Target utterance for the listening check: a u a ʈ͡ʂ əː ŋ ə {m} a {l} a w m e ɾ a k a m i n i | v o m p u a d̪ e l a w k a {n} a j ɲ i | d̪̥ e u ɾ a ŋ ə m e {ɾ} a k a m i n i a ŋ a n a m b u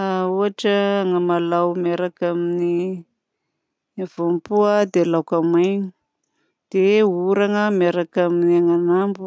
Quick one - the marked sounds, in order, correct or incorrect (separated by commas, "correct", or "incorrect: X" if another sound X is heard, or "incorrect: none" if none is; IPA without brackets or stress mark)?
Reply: correct, correct, incorrect: m, correct